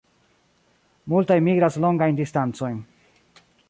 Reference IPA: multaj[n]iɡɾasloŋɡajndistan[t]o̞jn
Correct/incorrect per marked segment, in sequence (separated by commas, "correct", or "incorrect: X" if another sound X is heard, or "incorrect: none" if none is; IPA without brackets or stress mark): incorrect: m, incorrect: t͡s